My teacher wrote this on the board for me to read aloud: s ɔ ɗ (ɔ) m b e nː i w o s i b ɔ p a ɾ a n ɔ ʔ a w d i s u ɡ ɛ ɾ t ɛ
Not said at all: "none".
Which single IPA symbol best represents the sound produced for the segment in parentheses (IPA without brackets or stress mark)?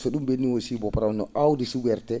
u